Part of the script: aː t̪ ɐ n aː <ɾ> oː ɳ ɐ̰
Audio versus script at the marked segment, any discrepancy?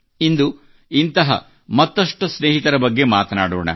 yes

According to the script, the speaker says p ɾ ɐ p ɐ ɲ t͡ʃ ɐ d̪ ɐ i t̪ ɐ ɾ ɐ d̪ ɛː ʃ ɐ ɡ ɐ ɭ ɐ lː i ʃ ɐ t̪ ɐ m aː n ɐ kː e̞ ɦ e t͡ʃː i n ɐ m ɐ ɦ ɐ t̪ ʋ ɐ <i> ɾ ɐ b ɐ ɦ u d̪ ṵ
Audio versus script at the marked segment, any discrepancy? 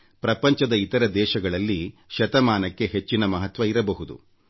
no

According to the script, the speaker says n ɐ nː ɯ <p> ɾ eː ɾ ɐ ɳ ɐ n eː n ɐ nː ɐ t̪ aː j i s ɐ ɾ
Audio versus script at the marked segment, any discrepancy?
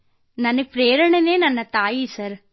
no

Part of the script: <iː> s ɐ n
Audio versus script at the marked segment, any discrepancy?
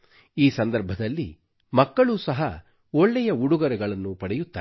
no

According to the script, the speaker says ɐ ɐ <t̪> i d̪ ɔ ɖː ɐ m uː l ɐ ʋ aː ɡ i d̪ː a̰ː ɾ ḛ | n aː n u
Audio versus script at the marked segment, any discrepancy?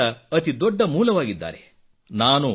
no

